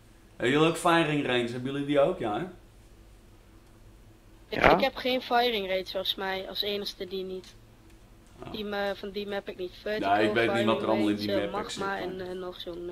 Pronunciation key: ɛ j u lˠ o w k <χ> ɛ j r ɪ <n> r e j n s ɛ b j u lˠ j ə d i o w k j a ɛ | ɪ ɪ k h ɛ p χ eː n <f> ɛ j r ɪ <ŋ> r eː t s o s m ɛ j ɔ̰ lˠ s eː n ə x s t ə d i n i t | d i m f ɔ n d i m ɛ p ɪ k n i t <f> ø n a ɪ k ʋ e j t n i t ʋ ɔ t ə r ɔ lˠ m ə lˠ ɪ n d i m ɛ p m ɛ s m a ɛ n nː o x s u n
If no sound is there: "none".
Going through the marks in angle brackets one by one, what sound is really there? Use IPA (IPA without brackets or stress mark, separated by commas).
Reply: f, ŋ, f, ŋ, f